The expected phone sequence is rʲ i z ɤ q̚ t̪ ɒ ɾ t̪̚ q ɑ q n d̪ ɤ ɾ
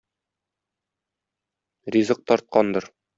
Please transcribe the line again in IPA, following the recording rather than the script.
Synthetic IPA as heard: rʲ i z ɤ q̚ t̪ ɒ ɾ t̪̚ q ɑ n d̪ ɤ ɾ